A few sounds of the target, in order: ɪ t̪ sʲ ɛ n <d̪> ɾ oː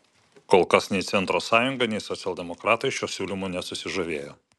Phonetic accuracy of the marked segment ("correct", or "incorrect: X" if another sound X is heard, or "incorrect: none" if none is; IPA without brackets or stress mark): incorrect: t̪